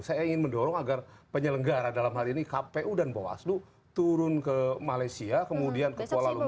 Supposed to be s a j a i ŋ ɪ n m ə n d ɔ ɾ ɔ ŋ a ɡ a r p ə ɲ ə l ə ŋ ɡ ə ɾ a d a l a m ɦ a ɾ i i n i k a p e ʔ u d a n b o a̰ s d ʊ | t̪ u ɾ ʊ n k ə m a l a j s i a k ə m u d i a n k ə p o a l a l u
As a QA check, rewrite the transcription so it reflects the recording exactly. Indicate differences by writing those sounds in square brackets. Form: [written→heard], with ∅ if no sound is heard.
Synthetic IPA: s a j a i ŋ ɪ n m ə n d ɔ ɾ ɔ ŋ a ɡ a r p ə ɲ ə l ə ŋ ɡ [ə→a] ɾ a d a l a m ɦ a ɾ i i n i k a p e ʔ u d a n b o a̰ s d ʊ | t̪ u ɾ ʊ n k ə m a l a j s i a k ə m u d i a n k ə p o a l a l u

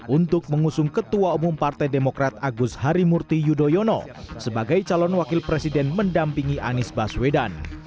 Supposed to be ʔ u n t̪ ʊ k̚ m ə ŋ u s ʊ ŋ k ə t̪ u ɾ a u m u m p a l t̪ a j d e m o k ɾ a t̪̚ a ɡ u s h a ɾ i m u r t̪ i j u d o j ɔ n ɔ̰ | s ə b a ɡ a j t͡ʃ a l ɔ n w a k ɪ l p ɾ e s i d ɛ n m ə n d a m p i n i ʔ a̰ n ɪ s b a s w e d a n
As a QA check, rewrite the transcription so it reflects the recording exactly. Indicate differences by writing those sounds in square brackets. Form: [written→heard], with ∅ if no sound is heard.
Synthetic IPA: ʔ u n t̪ ʊ k̚ m ə ŋ u s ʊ ŋ k ə t̪ u [ɾ→∅] a u m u m p a [l→r] t̪ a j d e m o k ɾ a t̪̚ a ɡ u s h a ɾ i m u r t̪ i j u d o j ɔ n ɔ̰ | s ə b a ɡ a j t͡ʃ a l ɔ n w a k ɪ l p ɾ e s i d ɛ n m ə n d a m p i [n→ŋ] i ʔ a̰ n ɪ s b a s w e d a n

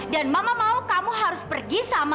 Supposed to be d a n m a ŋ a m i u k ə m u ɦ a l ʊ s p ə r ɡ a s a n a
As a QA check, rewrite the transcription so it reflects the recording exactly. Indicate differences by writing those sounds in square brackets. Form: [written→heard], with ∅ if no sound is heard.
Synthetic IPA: d a n m a [ŋ→m] a m [i→a] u k [ə→a] m u ɦ a [l→ɾ] ʊ s p ə r ɡ [a→i] s a [n→m] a

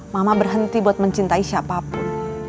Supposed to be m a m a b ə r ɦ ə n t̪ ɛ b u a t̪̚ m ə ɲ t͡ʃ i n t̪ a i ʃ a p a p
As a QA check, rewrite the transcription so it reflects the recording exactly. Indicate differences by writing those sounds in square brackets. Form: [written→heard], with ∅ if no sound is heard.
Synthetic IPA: m a m a b ə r ɦ ə n t̪ [ɛ→i] b u a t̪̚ m ə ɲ t͡ʃ i n t̪ a i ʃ a p a p

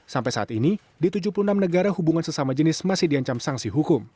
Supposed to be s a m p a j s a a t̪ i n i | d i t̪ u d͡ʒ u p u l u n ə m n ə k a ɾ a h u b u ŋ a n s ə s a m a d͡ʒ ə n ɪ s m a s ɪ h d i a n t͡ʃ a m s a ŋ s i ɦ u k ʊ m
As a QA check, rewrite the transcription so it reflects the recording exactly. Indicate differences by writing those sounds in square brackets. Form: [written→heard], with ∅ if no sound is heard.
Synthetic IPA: s a m p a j s a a t̪ i n i | d i t̪ u d͡ʒ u p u l u n [ə→a] m n ə [k→ɡ] a ɾ a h u b u ŋ a n s ə s a m a d͡ʒ ə n ɪ s m a s ɪ h d i a [n→ɲ] t͡ʃ a m s a ŋ s i ɦ u k ʊ m

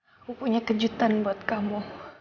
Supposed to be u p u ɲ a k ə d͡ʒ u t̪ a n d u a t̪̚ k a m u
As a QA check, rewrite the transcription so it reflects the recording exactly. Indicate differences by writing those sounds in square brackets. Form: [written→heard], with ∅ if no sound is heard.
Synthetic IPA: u p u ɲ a k ə d͡ʒ u t̪ a n [d→b] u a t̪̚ k a m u

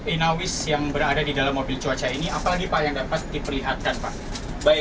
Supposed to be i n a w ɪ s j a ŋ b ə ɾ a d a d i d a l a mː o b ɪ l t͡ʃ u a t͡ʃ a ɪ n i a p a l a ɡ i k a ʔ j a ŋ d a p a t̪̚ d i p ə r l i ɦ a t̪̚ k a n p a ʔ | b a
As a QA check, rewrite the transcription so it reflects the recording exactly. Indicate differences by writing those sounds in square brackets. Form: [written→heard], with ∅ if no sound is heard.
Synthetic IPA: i n a w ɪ s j a ŋ b ə ɾ a d a d i d a l a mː o b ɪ l t͡ʃ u a t͡ʃ a [ɪ→i] n i a p a l a ɡ i [k→p] a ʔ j a ŋ d a p a t̪̚ d i p ə r l i ɦ a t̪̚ k a n p a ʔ | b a

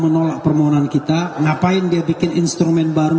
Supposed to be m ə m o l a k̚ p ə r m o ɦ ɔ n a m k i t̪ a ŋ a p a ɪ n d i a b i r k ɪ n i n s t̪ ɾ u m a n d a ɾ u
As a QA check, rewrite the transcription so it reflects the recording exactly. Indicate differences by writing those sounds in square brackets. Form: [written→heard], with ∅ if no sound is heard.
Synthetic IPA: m ə [m→n] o l a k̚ p ə r m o ɦ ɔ n a [m→n] k i t̪ a ŋ a p a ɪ n d i a b i [r→∅] k ɪ n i n s t̪ ɾ u m [a→ɛ] n [d→b] a ɾ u

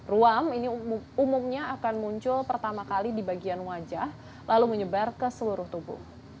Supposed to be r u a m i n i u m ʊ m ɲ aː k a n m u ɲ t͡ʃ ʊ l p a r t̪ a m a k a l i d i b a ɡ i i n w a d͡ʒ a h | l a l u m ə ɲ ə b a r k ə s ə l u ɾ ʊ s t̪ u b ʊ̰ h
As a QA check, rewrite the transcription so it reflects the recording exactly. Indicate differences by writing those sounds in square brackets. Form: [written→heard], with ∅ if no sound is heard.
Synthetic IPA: r u a m i n i u m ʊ m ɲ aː k a n m u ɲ t͡ʃ ʊ l p [a→ə] r t̪ a m a k a l i d i b a ɡ i [i→a] n w a d͡ʒ a h | l a l u m ə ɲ ə b a r k ə s ə l u ɾ ʊ [s→h] t̪ u b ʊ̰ h

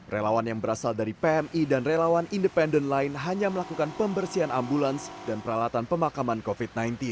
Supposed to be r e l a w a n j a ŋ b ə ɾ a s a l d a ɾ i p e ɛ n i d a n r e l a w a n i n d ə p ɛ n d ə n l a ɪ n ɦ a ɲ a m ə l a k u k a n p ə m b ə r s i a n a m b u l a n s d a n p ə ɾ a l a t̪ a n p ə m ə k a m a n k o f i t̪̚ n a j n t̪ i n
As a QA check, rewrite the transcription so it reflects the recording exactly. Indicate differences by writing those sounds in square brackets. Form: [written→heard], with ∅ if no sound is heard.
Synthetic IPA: r e l a w a n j a ŋ b ə ɾ a s a l d a ɾ i p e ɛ [n→m] i d a n r e l a w a n i n d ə p ɛ n d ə n l a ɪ n ɦ a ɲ a m ə l a k u k a n p ə m b ə r s i a n a m b u l a n s d a n p ə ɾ a l a t̪ a n p ə m [ə→a] k a m a n k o f i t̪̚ n a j n t̪ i n

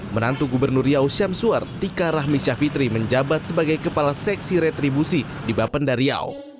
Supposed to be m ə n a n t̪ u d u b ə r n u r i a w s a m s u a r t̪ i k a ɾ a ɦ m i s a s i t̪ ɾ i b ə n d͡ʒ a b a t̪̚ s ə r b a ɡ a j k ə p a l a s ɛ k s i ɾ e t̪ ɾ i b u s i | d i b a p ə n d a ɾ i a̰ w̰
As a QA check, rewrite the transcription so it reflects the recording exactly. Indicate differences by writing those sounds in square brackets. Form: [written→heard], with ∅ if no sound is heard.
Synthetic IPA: m ə n a n t̪ u [d→ɡ] u b ə r n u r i a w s a m s u a r t̪ i k a ɾ a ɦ m i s a [s→f] i t̪ ɾ i [b→m] ə [n→ɲ] d͡ʒ a b a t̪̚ s ə [r→∅] b a ɡ a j k ə p a l a s ɛ k s i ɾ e t̪ ɾ i b u s i | d i b a p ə n d a ɾ i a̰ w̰

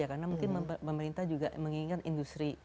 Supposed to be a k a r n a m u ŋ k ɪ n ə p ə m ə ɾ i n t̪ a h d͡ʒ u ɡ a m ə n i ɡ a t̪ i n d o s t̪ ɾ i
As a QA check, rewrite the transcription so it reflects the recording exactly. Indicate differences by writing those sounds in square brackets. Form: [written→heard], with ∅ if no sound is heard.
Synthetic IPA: a k a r n a m u ŋ k ɪ n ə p ə m ə ɾ i n t̪ a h d͡ʒ u ɡ a m ə [n→ŋ] i [ɡ→ŋ] a t̪ i n d [o→u] s t̪ ɾ i

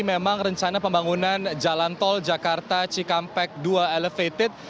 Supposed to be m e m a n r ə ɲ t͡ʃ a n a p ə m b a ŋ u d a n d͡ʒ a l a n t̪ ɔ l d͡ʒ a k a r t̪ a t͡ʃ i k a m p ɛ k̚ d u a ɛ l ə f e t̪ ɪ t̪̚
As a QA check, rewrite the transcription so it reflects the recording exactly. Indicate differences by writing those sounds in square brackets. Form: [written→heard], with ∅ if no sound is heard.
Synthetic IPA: m e m a [n→ŋ] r ə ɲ t͡ʃ a n a p ə m b a ŋ u [d→n] a n d͡ʒ a l a n t̪ ɔ l d͡ʒ a k a r t̪ a t͡ʃ i k a m p ɛ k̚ d u a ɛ l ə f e t̪ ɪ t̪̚

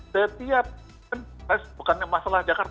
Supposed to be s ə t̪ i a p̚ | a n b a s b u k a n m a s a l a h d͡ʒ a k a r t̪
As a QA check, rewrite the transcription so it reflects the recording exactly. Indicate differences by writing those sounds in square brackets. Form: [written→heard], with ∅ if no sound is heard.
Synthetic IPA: s ə t̪ i a p̚ | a n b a s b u k a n m a s a l a h d͡ʒ a k a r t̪

